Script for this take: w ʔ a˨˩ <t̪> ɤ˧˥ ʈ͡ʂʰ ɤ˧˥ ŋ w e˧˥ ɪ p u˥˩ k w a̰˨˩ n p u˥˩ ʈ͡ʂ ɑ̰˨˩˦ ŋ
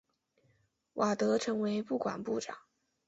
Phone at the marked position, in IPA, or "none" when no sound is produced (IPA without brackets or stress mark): t̪